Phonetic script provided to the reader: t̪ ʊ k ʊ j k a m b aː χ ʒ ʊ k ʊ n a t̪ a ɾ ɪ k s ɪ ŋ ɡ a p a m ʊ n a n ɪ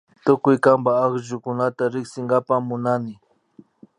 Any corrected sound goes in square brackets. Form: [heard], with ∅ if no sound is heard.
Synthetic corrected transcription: t̪ ʊ k ʊ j k a m b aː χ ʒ ʊ k ʊ n a t̪ a ɾ ɪ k s ɪ ŋ ɡ a p a m ʊ n a n ɪ

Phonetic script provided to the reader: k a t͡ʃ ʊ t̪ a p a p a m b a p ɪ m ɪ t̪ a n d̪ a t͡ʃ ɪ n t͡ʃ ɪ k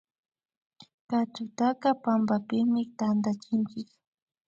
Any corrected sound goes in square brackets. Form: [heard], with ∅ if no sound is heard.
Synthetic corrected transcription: k a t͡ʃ ʊ t̪ a [k] a p a m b a p ɪ m ɪ t̪ a n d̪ a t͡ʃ ɪ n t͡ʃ ɪ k

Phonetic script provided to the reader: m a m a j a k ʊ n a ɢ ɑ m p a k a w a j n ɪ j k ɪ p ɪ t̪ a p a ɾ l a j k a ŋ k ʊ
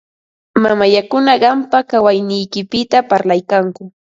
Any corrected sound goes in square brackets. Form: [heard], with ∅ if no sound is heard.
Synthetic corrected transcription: m a m a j a k ʊ n a ɢ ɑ m p a k a w a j n ɪ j k ɪ p ɪ t̪ a p a ɾ l a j k a ŋ k ʊ

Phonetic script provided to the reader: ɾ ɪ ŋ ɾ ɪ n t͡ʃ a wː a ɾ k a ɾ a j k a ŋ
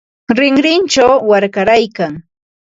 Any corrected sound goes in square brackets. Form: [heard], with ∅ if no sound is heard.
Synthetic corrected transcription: ɾ ɪ ŋ ɾ ɪ n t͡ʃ a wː a ɾ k a ɾ a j k a ŋ

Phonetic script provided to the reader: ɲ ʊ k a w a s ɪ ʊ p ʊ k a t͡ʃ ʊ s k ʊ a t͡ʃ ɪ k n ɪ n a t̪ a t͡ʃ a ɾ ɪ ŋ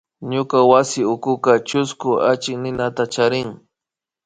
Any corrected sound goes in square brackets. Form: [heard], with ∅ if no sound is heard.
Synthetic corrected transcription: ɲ ʊ k a w a s ɪ ʊ [k] ʊ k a t͡ʃ ʊ s k ʊ a t͡ʃ ɪ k n ɪ n a t̪ a t͡ʃ a ɾ ɪ ŋ

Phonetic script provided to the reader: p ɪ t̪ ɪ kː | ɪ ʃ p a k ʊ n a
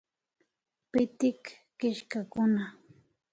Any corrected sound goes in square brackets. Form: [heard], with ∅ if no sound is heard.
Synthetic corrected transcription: p ɪ t̪ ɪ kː | ɪ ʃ [k] a k ʊ n a

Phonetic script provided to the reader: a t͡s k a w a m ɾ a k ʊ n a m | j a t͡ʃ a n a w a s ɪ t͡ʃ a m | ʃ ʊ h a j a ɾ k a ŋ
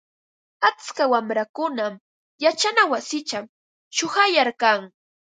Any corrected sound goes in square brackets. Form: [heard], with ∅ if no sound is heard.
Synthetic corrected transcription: a t͡s k a w a m ɾ a k ʊ n a m | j a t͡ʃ a n a w a s ɪ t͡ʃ a m | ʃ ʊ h a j a ɾ k a ŋ

